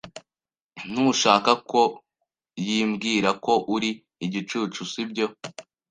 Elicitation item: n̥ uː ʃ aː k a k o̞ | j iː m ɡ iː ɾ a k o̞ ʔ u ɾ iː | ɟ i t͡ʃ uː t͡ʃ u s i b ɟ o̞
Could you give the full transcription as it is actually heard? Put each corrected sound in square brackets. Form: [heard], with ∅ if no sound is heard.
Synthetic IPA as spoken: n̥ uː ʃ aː k a k o̞ | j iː m ɡ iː ɾ a k o̞ ʔ u ɾ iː | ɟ i t͡ʃ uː t͡ʃ u s i b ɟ o̞